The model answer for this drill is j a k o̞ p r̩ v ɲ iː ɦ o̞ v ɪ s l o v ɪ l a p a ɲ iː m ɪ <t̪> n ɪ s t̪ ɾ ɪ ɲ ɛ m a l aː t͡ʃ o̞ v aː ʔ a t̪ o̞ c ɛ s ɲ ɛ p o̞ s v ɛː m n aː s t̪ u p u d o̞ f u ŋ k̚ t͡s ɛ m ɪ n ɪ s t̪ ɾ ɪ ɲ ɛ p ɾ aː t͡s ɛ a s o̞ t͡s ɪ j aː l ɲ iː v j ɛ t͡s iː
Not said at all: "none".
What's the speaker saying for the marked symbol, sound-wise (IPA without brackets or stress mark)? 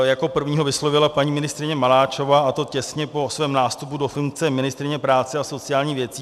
none